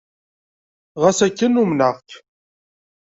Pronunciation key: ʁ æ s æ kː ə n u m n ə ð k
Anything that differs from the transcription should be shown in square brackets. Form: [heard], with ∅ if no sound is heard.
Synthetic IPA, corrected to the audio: ʁ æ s æ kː ə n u m n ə [ʁ] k